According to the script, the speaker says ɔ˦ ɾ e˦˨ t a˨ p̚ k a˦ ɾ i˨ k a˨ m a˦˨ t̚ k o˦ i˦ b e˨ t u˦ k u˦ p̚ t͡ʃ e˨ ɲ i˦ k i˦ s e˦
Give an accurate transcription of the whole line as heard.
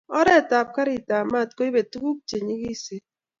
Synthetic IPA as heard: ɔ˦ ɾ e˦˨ t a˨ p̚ k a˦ ɾ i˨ t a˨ m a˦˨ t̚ k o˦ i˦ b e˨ t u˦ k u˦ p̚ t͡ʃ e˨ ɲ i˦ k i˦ s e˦